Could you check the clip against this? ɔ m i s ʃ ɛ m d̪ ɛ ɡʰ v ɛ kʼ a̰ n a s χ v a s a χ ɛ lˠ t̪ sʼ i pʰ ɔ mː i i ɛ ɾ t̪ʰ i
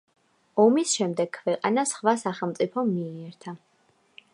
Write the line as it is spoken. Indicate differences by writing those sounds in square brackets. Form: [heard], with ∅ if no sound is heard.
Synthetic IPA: ɔ m i s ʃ ɛ m d̪ ɛ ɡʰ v ɛ [qʼ] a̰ n a s χ v a s a χ ɛ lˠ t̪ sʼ i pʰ ɔ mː i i ɛ ɾ t̪ʰ [a]